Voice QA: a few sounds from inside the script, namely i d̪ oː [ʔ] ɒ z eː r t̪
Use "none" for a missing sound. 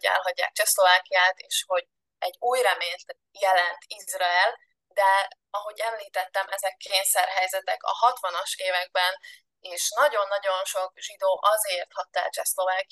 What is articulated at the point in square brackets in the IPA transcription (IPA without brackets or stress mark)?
ʔ